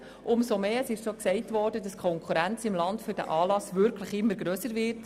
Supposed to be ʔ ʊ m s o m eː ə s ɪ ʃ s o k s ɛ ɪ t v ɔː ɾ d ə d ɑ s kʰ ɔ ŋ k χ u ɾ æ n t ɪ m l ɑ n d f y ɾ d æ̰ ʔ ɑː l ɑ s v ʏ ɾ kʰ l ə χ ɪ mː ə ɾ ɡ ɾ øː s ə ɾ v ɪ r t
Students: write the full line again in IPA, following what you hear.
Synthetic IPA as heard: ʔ ʊ m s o m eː ə s ɪ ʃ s o k s ɛ ɪ t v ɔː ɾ d ə d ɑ s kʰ ɔ ŋ k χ u ɾ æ n t͡s ɪ m l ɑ n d f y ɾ d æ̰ ʔ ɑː l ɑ s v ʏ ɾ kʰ l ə χ ɪ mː ə ɾ ɡ ɾ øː s ə ɾ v ɪ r t